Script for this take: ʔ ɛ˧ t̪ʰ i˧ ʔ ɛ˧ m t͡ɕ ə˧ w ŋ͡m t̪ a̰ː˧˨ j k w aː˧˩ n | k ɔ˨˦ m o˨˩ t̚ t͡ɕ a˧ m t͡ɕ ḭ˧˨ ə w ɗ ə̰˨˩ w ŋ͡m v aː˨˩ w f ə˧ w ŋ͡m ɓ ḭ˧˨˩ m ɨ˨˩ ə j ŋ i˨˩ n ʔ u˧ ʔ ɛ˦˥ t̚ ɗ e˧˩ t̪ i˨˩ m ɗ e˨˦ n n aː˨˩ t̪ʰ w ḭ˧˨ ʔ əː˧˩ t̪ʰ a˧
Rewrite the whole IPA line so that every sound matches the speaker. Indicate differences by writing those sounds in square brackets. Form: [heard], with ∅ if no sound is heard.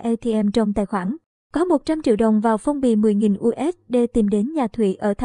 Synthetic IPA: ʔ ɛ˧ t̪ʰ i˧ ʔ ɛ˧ m t͡ɕ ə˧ w ŋ͡m t̪ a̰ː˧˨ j [x] w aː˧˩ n | k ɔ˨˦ m o˨˩ t̚ t͡ɕ a˧ m t͡ɕ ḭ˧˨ ə w ɗ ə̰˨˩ w ŋ͡m v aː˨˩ w f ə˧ w ŋ͡m ɓ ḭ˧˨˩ m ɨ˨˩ ə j ŋ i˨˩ n ʔ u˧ ʔ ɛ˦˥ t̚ ɗ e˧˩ t̪ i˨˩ m ɗ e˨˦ n [ɲ] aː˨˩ t̪ʰ w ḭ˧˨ ʔ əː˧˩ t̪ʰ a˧